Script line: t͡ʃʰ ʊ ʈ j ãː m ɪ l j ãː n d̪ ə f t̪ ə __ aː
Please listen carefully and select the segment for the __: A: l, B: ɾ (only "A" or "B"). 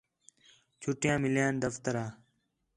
B